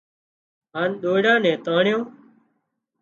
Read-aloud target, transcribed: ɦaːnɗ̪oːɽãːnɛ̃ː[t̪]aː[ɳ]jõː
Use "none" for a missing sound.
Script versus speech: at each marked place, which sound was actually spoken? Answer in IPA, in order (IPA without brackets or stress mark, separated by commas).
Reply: t̪, ɳ